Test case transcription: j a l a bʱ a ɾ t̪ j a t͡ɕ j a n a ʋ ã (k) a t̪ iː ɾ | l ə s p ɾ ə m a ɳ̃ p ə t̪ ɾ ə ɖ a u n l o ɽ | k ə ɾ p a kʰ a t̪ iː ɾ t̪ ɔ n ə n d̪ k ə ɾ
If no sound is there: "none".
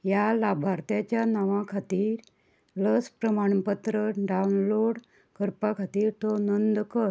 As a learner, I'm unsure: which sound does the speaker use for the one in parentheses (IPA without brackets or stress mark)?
kʰ